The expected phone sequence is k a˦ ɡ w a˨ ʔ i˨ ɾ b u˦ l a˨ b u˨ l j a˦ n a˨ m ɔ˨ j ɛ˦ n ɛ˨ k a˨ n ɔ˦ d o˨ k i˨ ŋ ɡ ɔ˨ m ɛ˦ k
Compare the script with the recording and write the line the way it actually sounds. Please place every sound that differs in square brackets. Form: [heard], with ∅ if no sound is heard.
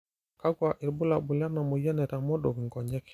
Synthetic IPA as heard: k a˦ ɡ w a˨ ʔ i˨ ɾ b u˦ l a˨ b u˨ l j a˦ n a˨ m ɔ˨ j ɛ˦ n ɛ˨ [t] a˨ [m] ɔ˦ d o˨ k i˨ ŋ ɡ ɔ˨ [ɲ] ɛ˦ k

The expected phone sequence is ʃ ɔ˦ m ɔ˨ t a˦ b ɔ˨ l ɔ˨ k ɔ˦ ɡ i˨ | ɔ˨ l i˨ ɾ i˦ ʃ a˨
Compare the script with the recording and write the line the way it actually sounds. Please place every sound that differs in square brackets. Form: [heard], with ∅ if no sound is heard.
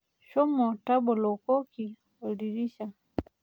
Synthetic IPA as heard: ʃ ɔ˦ m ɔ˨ t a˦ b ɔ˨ l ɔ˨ k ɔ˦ [k] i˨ | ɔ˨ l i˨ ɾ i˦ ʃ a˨

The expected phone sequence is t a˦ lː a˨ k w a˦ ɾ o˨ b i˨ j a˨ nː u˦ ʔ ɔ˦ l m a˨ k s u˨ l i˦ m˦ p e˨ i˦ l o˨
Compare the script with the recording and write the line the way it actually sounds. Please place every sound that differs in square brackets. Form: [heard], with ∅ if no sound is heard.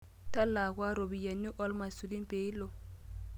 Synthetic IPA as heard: t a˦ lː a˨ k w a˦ ɾ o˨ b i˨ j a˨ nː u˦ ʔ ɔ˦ l m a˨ [∅] s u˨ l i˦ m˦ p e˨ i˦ l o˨

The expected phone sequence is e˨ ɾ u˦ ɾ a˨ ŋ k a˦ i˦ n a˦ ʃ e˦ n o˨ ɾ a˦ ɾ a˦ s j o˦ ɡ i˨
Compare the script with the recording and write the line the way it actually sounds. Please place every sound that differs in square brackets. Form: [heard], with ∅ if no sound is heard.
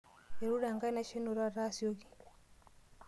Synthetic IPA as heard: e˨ ɾ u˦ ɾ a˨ ŋ [ɡ] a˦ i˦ n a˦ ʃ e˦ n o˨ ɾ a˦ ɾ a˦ s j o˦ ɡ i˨

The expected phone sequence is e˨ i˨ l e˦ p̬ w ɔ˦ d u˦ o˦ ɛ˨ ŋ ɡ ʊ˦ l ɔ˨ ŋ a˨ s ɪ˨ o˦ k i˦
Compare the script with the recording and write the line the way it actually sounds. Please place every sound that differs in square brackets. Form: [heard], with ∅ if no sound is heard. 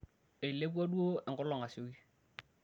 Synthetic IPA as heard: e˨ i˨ l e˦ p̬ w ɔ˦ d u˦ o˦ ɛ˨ ŋ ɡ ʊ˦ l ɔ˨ ŋ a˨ s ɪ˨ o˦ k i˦

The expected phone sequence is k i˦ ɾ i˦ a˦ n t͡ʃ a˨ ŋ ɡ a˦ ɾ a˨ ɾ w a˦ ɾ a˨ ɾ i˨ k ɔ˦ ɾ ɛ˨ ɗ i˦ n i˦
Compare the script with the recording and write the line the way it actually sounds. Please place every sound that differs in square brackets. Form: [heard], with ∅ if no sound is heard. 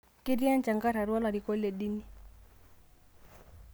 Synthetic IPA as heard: k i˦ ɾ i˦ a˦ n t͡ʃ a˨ ŋ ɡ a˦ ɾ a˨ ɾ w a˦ [l] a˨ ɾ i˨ k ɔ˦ [l] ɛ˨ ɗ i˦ n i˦

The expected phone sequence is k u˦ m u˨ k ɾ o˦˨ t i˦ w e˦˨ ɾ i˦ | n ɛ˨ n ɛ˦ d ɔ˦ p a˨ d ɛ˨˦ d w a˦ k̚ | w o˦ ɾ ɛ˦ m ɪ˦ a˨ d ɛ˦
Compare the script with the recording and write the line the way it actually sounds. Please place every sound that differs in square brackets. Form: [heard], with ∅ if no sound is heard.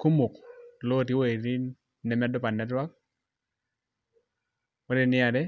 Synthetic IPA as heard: k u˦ m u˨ k [l] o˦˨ t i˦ w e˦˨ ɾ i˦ | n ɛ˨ [m] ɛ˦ d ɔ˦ p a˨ [n] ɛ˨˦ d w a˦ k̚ | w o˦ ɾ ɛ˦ [n] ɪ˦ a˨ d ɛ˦

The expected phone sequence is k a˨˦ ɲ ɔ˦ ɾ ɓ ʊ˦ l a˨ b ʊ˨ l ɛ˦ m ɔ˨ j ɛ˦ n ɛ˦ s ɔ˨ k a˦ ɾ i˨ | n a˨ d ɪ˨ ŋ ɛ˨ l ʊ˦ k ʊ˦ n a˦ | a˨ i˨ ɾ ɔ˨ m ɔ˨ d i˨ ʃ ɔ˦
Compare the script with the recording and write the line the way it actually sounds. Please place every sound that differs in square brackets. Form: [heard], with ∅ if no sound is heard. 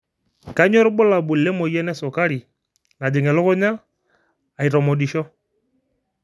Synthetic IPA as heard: k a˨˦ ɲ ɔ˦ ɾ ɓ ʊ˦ l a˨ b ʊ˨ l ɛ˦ m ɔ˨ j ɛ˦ n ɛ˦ s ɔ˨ k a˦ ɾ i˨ | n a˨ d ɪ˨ ŋ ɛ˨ l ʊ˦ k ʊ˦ [ɲ] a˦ | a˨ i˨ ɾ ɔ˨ m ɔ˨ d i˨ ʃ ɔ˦

